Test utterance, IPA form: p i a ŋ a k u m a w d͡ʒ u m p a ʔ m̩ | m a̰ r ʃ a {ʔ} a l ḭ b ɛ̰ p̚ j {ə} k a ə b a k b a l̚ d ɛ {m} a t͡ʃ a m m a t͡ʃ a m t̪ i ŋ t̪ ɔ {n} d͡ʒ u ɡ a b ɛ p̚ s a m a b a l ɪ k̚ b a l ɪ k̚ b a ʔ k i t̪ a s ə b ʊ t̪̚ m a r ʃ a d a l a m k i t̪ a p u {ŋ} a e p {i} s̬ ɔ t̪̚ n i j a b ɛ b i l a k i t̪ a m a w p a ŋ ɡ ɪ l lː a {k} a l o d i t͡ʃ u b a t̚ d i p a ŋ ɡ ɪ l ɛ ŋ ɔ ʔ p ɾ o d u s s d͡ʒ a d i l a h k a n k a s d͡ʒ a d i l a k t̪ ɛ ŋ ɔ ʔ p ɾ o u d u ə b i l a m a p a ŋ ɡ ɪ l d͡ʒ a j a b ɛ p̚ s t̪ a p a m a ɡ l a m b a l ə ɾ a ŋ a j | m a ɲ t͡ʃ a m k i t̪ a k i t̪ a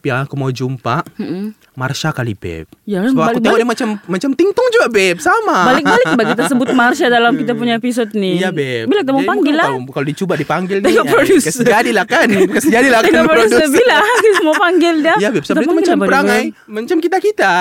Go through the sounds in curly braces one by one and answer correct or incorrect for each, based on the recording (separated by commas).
incorrect, incorrect, correct, incorrect, incorrect, correct, correct